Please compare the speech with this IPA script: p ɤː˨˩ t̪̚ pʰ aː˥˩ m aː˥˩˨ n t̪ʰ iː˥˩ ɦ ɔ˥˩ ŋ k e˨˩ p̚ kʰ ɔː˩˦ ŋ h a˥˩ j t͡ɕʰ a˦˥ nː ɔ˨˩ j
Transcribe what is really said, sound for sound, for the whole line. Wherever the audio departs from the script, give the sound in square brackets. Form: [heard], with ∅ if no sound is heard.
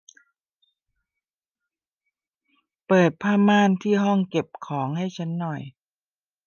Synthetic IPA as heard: p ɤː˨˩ t̪̚ pʰ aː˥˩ m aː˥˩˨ n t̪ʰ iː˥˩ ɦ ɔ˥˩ ŋ k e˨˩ p̚ kʰ ɔː˩˦ ŋ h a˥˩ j t͡ɕʰ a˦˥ nː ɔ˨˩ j